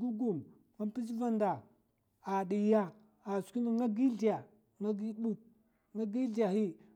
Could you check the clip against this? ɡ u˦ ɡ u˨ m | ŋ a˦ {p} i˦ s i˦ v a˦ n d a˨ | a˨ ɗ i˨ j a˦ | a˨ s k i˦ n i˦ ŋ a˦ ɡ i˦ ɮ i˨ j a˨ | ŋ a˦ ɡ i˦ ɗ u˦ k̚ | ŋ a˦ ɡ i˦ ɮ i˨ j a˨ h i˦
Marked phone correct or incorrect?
correct